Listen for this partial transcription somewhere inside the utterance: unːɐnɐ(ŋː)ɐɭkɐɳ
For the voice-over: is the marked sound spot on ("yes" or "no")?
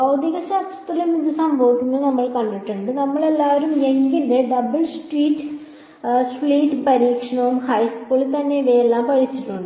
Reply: no